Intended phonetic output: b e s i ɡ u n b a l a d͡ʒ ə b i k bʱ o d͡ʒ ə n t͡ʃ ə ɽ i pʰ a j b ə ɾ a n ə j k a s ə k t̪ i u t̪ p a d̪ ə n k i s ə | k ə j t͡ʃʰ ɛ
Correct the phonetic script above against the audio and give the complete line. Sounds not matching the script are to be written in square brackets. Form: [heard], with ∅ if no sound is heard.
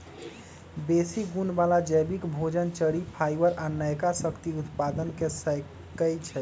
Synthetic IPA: b e s i ɡ u n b a l a d͡ʒ ə b i k bʱ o d͡ʒ ə n t͡ʃ ə ɽ i pʰ a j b ə ɾ a n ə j k a s ə k t̪ i u t̪ p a d̪ ə n k [e] s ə | k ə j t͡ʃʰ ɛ